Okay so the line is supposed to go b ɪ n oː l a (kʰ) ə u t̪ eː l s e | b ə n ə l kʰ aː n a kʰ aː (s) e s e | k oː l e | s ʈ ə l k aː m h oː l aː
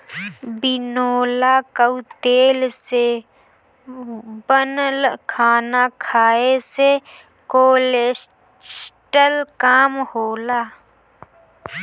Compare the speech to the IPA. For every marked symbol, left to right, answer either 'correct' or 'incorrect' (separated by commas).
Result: incorrect, incorrect